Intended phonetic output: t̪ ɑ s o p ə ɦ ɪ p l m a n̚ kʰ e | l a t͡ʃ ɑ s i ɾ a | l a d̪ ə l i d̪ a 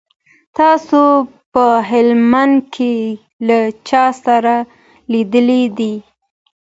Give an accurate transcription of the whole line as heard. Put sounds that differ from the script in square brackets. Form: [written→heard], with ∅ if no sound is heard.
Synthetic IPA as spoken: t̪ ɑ s o p ə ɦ ɪ [p→∅] l m a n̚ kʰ e | l a t͡ʃ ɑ s [i→a] ɾ a | l [a→i] d̪ ə l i d̪ [a→i]

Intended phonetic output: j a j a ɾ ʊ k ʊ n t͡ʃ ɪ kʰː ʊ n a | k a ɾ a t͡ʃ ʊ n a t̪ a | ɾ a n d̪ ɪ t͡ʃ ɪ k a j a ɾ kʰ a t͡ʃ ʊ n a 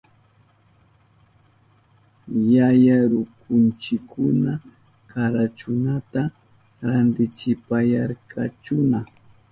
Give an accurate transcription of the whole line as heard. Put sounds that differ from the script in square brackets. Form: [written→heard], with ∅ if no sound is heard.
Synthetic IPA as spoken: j a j a ɾ ʊ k ʊ n t͡ʃ ɪ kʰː ʊ n a | k a ɾ a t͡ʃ ʊ n a t̪ a | ɾ a n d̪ ɪ t͡ʃ ɪ [k→p] a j a ɾ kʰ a t͡ʃ ʊ n a

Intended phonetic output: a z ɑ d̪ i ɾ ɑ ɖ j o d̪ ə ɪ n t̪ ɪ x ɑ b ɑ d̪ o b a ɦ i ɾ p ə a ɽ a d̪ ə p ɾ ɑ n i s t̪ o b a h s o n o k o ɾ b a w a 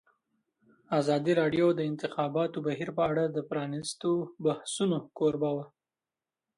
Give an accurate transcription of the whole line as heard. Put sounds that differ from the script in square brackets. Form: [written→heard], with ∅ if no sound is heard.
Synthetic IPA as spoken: a z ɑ d̪ i ɾ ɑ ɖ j o d̪ ə ɪ n t̪ ɪ x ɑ b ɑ [d̪→t̪] o b a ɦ i ɾ p ə a ɽ a d̪ ə p ɾ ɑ n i s t̪ o b a h s [o→u] n o k o ɾ b a w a

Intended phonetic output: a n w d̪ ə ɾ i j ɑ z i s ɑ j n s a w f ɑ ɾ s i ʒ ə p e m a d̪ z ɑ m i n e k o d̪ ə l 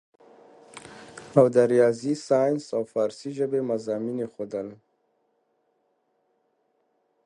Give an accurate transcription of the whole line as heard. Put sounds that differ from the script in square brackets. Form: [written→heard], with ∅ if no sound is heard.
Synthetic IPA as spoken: a [n→∅] w d̪ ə ɾ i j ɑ z i s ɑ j n s a w f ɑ ɾ s i ʒ ə [p→b] e m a [d̪→∅] z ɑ m i n e [k→x] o d̪ ə l

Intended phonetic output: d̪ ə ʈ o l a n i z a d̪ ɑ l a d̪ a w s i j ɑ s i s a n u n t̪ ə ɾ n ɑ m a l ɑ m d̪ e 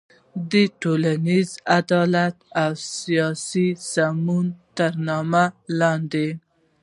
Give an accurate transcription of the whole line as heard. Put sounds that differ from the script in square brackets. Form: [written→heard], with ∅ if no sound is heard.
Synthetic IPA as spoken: d̪ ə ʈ o l a n i z a d̪ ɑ l a [d̪→t̪] a w s i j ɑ s i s a [n→m] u n t̪ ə ɾ n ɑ m a l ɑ [m→n] d̪ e

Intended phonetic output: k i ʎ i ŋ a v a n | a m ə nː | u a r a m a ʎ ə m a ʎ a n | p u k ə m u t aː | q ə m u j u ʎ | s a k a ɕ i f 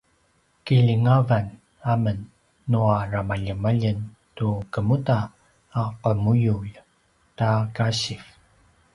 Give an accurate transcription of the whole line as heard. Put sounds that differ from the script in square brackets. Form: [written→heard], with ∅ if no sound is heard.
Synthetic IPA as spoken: k i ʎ i ŋ a v a n | a m ə nː | u a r a m a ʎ ə m a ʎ [a→ə] n | [p→t] u k ə m u t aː | q ə m u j u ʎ | [s→t] a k a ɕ i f

